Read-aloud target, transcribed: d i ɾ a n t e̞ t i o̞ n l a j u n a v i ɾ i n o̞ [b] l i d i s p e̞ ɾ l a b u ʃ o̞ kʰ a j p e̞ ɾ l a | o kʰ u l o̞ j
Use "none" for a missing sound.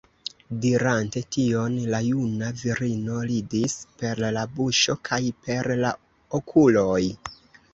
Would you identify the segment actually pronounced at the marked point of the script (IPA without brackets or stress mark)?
none